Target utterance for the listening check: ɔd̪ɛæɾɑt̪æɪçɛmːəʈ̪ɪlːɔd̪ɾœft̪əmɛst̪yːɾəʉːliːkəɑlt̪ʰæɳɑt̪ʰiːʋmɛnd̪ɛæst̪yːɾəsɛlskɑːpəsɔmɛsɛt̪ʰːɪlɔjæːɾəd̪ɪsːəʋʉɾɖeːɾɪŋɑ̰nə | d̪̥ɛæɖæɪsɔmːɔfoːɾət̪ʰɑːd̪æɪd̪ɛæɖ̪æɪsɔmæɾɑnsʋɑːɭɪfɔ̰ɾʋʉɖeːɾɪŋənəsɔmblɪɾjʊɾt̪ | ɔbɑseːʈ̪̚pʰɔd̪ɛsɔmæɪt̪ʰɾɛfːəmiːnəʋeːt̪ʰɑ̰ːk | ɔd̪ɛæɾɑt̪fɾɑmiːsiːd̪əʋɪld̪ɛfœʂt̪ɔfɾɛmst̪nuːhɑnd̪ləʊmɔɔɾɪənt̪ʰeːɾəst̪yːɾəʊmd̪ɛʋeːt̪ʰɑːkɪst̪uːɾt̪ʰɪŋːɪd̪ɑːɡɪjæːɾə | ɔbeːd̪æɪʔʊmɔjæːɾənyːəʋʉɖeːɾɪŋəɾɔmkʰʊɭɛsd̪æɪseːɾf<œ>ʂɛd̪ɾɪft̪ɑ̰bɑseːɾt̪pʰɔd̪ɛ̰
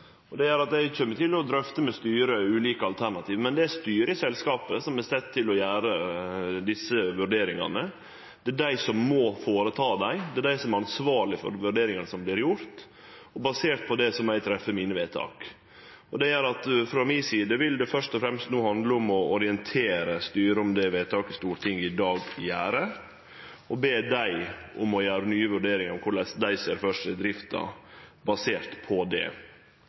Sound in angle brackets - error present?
no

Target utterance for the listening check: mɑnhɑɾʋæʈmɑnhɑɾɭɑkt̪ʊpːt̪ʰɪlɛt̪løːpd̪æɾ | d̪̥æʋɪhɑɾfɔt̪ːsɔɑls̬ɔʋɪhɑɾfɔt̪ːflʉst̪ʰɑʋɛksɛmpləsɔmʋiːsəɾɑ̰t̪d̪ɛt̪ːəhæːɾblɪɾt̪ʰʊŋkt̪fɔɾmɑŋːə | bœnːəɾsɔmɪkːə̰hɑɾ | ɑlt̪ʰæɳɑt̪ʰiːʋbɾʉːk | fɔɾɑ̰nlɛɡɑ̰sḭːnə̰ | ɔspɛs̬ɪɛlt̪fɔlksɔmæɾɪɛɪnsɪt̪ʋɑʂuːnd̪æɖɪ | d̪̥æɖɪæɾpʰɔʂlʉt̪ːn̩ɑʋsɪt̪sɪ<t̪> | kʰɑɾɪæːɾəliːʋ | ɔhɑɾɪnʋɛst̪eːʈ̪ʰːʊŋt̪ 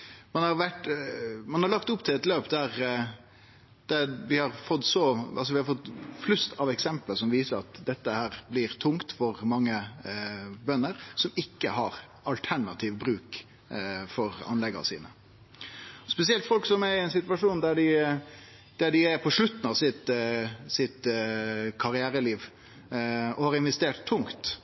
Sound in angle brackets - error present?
no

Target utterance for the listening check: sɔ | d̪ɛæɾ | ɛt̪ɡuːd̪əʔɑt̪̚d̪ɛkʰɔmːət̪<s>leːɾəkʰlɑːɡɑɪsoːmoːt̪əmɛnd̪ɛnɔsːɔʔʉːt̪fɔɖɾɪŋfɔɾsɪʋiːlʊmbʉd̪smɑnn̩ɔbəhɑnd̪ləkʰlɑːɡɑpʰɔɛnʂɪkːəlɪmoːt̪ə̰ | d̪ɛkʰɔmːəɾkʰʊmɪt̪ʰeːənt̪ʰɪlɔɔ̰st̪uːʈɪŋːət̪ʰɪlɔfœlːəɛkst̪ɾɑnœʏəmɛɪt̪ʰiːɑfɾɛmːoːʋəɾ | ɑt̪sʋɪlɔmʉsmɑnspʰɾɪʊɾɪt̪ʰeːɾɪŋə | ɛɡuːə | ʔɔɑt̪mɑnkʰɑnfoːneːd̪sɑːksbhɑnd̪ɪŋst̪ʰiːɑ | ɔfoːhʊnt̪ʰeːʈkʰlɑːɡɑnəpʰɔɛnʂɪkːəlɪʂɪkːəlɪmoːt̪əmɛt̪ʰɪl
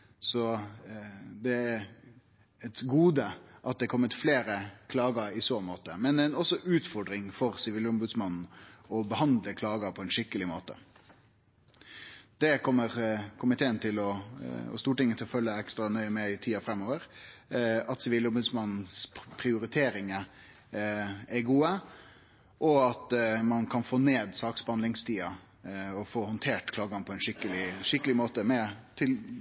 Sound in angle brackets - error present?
yes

